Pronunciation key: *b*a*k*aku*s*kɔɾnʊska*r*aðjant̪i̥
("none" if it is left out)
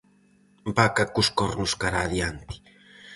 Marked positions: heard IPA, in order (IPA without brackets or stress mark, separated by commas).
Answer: b, k, s, ɾ